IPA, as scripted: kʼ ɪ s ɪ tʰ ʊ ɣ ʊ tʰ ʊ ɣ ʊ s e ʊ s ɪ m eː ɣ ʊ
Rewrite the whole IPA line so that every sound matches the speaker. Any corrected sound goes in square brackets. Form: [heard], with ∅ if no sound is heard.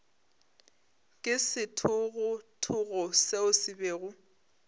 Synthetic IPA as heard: kʼ ɪ s ɪ tʰ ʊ ɣ ʊ tʰ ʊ ɣ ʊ s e ʊ s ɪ [b] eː ɣ ʊ